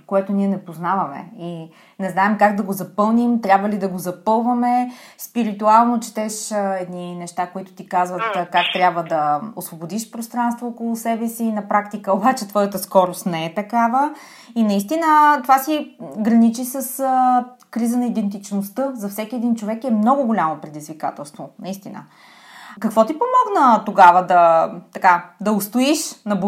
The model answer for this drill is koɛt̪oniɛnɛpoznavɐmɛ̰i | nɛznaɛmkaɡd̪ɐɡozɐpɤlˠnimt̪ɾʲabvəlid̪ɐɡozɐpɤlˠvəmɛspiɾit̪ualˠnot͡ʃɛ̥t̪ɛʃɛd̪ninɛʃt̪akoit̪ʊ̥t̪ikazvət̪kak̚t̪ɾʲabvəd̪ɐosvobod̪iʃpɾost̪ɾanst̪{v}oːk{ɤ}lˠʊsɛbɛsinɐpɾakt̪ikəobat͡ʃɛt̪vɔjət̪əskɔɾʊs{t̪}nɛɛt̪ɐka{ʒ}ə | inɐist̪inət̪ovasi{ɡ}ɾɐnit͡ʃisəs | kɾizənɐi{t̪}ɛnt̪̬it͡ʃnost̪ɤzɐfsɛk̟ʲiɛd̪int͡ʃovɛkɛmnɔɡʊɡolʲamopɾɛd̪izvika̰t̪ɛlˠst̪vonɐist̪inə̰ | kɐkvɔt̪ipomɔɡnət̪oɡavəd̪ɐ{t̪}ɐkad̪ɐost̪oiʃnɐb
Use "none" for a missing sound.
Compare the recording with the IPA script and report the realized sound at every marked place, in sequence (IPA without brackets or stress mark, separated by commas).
v, o, t̪, v, ɡ, d̪, t̪